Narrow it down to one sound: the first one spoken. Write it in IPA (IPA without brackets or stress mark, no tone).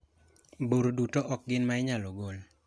b